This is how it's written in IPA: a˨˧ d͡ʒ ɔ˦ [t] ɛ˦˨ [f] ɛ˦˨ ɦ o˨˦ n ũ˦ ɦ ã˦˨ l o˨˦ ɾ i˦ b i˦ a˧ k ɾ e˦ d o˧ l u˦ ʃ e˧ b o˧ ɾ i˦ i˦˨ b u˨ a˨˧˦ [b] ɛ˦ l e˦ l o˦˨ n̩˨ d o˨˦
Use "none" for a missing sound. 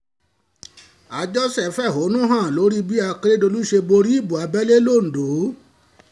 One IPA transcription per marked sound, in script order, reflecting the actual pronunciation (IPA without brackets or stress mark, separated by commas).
s, f, b